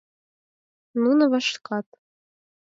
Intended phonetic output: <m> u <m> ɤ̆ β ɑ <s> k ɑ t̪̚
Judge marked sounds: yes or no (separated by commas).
no, no, no